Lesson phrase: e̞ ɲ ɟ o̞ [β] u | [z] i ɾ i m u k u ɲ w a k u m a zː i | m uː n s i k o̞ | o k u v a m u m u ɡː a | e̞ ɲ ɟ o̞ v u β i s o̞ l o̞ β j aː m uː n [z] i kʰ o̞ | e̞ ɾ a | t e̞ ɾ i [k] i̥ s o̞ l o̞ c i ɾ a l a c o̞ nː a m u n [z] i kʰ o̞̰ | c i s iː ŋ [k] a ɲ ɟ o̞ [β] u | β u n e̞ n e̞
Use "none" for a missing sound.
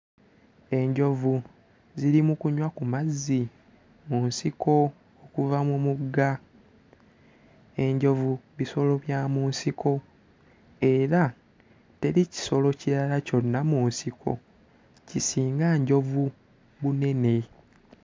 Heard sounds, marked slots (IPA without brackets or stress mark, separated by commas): v, z, s, c, s, ɡ, v